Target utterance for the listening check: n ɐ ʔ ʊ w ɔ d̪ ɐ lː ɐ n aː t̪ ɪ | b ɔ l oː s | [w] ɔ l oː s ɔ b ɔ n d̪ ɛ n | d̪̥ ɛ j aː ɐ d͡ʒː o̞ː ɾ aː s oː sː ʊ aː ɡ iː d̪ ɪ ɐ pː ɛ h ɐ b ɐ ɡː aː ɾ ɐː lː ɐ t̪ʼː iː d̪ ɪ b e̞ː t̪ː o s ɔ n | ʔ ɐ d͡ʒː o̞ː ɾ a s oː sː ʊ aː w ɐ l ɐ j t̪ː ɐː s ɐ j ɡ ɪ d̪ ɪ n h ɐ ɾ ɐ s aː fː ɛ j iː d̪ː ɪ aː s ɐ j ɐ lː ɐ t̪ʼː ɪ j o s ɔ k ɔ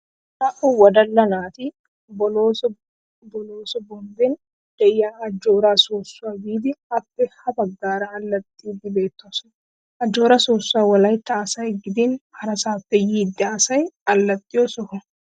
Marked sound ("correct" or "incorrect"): incorrect